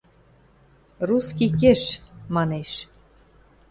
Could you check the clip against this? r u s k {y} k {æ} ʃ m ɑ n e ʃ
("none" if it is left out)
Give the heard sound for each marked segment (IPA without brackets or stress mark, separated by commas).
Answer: i, e